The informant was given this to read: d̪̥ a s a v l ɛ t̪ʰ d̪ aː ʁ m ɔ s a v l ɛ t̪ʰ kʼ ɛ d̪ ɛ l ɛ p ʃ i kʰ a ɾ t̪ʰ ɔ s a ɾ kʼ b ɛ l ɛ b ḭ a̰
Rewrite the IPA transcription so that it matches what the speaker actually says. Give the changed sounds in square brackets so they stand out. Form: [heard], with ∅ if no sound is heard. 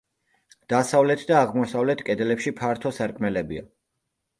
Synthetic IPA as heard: d̪̥ a s a v l ɛ t̪ʰ d̪ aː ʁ m ɔ s a v l ɛ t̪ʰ kʼ ɛ d̪ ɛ l ɛ p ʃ i [pʰ] a ɾ t̪ʰ ɔ s a ɾ kʼ [m] ɛ l ɛ b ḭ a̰